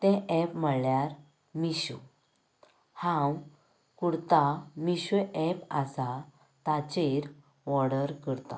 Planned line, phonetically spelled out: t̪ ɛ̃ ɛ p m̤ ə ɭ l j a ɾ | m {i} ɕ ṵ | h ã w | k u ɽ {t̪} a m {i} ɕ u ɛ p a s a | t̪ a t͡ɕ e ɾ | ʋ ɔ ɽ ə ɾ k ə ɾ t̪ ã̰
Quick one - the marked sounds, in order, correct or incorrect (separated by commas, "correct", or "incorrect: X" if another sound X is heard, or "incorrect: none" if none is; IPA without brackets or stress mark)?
correct, correct, correct